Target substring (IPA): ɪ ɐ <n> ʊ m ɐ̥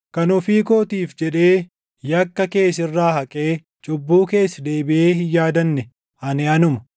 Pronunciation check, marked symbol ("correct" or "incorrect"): correct